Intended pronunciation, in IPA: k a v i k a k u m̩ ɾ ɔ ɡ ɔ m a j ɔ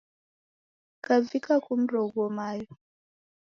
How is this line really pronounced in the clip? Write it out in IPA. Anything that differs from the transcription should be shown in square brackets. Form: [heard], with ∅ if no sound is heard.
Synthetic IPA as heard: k a v i k a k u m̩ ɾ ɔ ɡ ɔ m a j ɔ